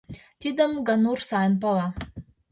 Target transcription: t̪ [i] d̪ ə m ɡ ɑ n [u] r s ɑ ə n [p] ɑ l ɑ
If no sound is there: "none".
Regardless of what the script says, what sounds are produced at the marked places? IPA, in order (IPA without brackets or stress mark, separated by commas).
i, u, p